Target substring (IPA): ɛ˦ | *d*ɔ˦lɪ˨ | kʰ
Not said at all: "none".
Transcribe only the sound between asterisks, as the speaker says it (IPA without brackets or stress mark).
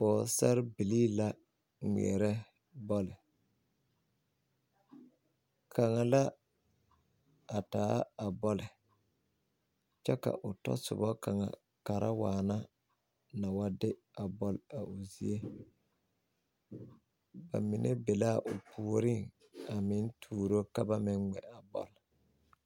b